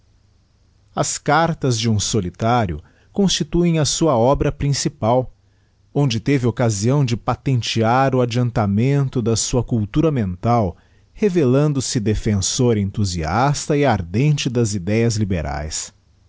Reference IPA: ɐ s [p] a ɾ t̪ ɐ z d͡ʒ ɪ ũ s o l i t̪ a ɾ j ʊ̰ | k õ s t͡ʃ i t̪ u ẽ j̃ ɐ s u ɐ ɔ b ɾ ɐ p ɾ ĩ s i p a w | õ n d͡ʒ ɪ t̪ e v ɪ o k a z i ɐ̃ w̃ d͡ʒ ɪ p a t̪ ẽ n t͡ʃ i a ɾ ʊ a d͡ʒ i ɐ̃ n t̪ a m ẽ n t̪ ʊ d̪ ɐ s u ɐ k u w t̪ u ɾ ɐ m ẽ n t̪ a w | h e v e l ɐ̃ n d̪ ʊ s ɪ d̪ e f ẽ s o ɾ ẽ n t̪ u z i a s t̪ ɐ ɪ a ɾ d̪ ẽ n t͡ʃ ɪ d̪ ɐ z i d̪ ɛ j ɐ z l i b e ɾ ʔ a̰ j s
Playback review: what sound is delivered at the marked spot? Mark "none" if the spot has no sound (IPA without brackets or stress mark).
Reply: k